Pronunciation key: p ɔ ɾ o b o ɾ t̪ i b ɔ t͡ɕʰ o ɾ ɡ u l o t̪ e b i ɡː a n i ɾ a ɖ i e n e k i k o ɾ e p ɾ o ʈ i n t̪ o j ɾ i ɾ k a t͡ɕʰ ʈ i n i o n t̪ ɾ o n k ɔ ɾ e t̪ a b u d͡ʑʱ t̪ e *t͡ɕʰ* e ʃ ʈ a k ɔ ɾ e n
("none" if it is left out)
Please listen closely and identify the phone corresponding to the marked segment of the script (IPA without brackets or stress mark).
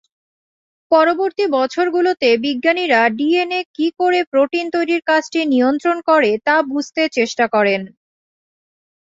t͡ɕ